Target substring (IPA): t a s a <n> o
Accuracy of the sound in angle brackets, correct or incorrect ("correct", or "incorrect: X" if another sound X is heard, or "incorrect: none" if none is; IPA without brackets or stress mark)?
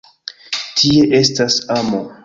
incorrect: m